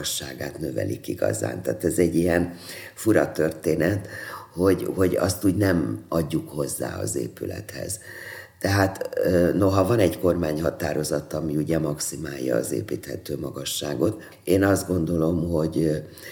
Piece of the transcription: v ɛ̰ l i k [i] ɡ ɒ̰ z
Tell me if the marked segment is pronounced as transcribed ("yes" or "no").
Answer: yes